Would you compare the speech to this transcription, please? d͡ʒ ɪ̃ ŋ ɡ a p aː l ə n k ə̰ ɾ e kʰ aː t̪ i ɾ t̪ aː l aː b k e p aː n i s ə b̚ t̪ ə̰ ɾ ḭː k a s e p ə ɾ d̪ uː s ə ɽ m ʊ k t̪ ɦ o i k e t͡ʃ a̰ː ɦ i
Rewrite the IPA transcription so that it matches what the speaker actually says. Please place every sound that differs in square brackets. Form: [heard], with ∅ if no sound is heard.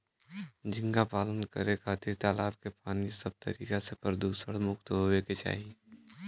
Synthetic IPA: d͡ʒ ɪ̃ ŋ ɡ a p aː l ə n k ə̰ ɾ e kʰ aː t̪ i ɾ t̪ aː l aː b k e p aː n i s ə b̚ t̪ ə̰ ɾ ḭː k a s e p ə ɾ d̪ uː s ə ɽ m ʊ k t̪ ɦ o [e] k e t͡ʃ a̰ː ɦ i